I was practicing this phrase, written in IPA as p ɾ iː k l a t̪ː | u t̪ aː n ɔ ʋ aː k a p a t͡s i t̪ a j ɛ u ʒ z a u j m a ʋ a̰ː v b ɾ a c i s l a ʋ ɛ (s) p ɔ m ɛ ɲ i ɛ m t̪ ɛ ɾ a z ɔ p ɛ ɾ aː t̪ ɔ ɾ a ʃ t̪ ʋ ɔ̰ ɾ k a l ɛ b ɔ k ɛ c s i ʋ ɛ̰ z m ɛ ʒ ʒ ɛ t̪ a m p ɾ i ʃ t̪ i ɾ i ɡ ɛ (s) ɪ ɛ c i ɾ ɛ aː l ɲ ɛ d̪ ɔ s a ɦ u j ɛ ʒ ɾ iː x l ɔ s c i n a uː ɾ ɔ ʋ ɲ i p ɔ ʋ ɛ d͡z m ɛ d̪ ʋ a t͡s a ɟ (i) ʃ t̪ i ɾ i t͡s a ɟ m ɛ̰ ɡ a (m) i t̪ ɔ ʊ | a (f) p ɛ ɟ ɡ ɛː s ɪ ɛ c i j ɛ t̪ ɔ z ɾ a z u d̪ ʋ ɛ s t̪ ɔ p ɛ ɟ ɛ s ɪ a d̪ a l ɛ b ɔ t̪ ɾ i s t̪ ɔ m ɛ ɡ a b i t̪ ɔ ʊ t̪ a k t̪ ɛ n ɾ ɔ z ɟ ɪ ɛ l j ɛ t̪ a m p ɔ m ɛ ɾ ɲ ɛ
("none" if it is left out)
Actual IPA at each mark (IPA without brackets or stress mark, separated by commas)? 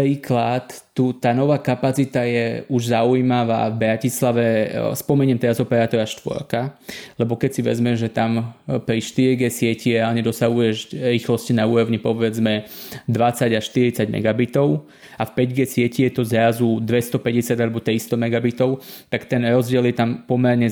s, s, a, b, f